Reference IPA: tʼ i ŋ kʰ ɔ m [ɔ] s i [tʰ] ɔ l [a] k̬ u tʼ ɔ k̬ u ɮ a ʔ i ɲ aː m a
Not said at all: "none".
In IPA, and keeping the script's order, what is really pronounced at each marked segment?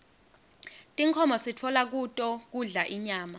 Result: ɔ, tʰ, a

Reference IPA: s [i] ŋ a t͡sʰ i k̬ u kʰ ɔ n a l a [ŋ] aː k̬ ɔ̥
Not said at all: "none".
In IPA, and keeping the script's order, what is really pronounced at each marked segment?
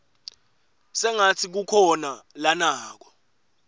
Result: ɛ, n

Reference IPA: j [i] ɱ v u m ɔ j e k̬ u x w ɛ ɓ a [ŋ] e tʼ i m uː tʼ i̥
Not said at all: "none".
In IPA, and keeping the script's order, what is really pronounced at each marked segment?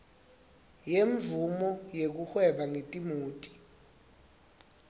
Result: e, ŋ

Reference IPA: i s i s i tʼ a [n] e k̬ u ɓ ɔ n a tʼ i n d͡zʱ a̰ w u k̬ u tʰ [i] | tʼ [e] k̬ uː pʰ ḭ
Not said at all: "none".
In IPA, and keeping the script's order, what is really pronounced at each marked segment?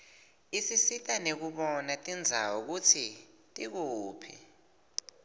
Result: n, i, i

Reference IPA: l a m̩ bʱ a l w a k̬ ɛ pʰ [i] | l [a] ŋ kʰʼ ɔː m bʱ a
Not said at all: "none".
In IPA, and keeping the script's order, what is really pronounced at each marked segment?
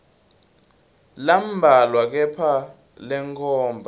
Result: a, ɛ

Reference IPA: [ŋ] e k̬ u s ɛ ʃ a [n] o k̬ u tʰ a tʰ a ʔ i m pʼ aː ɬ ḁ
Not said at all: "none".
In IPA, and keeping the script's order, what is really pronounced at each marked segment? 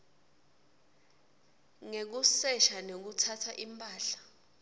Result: ŋ, n

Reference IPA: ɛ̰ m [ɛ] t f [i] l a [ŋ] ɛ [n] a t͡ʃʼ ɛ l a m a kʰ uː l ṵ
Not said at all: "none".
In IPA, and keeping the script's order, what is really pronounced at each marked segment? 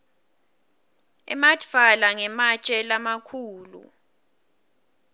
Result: a, a, ŋ, m

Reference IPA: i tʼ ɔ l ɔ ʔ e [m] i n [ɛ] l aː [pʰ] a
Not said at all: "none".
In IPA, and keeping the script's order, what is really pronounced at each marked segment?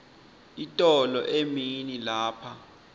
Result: m, i, pʰ

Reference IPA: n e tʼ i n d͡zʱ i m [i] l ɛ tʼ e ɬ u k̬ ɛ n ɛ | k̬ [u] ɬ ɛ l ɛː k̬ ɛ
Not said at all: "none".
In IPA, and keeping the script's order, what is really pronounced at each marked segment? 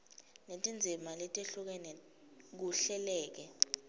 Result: a, u

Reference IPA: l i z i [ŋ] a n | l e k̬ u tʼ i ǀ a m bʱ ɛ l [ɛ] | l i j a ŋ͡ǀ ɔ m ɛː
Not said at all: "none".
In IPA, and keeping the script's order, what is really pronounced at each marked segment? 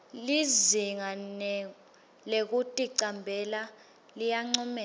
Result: ŋ, a

